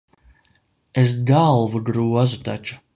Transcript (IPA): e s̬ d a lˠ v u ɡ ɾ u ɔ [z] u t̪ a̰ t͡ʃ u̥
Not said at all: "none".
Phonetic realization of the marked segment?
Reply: z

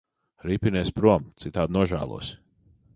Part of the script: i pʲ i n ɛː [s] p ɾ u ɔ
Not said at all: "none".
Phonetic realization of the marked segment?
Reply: s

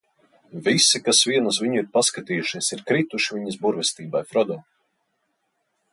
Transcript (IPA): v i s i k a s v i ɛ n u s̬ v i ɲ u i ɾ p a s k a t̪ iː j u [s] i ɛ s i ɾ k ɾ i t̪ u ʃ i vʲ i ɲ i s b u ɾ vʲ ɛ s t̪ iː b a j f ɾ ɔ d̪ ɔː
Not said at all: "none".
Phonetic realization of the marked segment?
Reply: ʃ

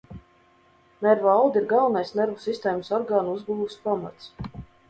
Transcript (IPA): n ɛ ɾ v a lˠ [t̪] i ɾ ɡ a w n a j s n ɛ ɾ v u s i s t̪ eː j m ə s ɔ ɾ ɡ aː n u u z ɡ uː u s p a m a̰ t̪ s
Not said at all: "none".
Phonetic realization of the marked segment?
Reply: d̪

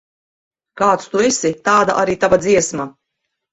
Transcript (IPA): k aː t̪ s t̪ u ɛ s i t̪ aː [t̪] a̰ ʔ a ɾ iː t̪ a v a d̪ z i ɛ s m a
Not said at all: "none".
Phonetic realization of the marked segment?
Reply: d̪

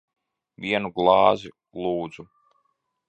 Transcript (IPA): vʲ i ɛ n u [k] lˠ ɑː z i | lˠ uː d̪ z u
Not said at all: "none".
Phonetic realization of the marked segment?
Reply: ɡ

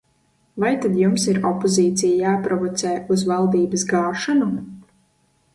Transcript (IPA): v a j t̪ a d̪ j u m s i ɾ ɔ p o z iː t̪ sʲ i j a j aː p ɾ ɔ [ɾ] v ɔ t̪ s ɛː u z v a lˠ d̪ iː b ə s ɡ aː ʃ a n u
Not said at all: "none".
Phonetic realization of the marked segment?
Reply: none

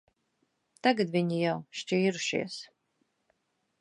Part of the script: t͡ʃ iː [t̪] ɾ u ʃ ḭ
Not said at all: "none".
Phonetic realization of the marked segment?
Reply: none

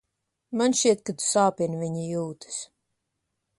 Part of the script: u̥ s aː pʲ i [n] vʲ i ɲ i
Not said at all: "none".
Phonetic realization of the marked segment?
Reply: n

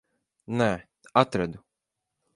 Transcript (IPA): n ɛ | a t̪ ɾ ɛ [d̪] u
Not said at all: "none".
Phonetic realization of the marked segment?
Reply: d̪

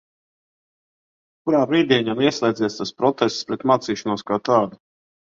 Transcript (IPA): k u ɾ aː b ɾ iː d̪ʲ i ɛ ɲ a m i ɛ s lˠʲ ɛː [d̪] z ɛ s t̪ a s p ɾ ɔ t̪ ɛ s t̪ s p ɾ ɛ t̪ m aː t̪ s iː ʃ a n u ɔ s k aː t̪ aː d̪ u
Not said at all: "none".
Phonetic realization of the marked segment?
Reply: d̪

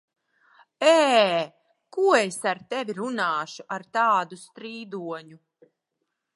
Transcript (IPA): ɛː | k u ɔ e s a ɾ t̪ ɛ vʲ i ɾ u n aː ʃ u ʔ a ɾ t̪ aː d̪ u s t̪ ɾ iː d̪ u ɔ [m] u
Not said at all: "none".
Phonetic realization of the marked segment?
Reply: ɲ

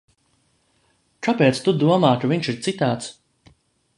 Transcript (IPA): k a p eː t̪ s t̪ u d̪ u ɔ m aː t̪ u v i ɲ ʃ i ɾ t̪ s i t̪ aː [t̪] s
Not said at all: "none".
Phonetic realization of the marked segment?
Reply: t̪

